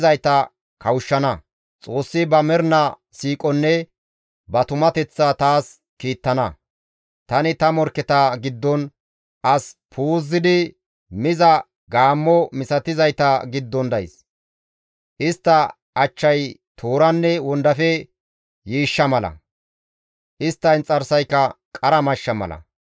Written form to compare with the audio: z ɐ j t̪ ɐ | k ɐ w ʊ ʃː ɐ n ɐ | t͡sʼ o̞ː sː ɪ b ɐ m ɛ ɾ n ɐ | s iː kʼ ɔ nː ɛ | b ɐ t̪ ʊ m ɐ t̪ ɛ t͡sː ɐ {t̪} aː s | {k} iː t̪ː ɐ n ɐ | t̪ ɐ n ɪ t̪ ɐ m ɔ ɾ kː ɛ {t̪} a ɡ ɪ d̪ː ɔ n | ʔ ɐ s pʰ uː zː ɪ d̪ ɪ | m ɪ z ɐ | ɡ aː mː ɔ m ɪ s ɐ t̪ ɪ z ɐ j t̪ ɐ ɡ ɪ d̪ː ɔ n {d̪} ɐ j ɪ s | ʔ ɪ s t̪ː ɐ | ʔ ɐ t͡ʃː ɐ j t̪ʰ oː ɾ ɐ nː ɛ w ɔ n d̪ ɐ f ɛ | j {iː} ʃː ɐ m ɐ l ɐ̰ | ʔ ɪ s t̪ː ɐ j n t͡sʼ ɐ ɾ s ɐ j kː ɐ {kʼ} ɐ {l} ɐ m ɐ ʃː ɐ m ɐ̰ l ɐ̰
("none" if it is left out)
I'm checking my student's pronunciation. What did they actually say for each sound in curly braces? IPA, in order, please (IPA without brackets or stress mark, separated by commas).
t̪, k, t̪, d̪, iː, kʼ, ɾ